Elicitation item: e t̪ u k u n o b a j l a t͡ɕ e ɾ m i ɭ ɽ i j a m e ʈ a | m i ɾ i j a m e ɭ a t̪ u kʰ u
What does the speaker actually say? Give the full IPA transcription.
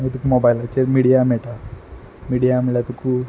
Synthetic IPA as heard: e t̪ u k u m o b a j l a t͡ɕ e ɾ m i ɽ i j a m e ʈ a | m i ɽ i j a m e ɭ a t̪ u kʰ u